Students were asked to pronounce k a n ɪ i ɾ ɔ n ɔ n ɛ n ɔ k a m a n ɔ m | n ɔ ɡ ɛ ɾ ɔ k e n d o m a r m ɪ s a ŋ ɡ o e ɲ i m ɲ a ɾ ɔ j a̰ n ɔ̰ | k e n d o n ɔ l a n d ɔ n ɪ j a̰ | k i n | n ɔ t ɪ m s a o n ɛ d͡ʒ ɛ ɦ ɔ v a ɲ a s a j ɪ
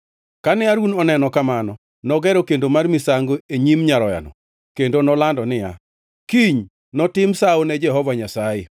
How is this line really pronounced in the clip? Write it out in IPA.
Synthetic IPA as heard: k a n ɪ a ɾ u n ɔ n ɛ n ɔ k a m a n ɔ | n ɔ ɡ ɛ ɾ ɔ k e n d o m a r m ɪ s a ŋ ɡ o e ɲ i m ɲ a ɾ ɔ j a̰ n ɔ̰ | k e n d o n ɔ l a n d ɔ n ɪ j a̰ | k i ɲ | n ɔ t ɪ m s a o n ɛ d͡ʒ ɛ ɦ ɔ v a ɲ a s a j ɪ